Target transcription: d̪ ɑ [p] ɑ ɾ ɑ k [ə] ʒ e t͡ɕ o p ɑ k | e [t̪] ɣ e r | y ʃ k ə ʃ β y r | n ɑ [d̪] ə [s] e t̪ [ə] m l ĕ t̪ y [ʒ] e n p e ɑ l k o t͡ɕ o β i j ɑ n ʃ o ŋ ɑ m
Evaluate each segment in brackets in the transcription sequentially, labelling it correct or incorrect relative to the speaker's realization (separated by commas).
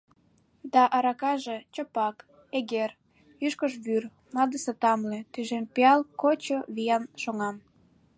incorrect, incorrect, incorrect, correct, correct, incorrect, correct